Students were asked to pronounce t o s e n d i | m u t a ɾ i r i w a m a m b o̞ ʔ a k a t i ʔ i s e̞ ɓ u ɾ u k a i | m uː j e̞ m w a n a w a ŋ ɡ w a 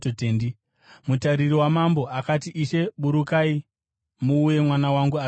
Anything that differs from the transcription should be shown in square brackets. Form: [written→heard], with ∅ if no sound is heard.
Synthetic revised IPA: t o [s→t] e n d i | m u t a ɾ i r i w a m a m b o̞ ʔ a k a t i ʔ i [s→ʃ] e̞ ɓ u ɾ u k a i | m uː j e̞ m w a n a w a ŋ ɡ [w→u] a